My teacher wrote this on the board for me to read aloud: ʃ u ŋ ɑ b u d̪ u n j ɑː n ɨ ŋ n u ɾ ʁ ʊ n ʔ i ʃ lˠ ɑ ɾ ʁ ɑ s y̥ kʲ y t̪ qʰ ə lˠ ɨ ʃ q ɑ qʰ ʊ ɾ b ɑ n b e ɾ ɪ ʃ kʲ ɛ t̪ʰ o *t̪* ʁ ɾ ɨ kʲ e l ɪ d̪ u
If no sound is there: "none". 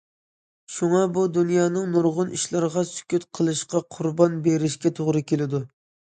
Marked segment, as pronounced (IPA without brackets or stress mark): none